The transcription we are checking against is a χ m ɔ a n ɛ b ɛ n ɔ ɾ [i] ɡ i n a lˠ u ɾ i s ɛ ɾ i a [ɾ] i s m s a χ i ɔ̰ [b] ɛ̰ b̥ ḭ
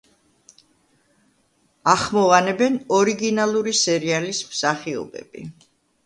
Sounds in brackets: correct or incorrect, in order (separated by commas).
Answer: correct, incorrect, correct